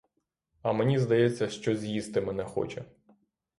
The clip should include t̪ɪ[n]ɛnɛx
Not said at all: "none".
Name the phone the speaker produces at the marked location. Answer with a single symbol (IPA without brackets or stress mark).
m